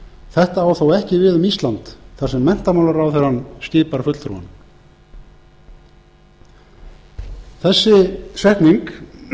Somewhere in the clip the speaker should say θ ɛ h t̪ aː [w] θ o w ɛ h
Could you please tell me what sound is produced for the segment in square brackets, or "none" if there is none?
w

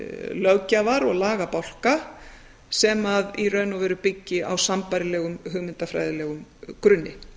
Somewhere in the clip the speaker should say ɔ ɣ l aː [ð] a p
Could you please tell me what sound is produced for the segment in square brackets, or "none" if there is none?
ɣ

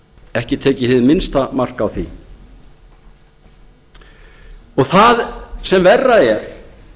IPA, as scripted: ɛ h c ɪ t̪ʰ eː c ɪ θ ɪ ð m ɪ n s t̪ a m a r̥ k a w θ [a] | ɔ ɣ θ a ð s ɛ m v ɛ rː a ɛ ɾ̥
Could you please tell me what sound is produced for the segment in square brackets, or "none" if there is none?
i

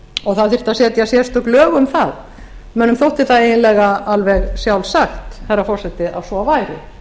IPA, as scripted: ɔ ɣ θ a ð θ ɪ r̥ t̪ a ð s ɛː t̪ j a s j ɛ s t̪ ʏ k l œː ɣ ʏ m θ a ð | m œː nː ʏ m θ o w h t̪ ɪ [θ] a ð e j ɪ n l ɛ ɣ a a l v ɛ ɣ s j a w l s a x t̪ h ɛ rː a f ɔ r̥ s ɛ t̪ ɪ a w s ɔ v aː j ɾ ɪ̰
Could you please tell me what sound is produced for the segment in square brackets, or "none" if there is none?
θ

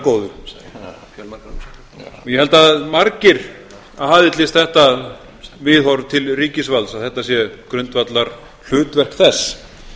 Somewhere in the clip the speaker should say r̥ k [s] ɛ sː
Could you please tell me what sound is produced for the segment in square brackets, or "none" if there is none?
θ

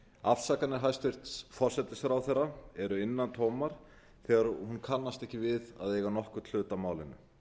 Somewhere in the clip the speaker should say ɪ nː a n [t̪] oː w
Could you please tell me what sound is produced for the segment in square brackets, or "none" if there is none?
t̪ʰ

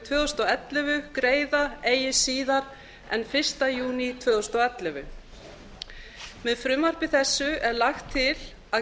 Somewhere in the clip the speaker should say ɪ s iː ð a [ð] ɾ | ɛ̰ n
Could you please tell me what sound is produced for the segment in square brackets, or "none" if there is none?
none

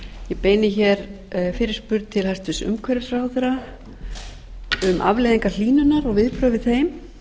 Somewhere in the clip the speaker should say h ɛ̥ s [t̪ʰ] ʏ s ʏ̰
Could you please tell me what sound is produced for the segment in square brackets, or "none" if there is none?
t̪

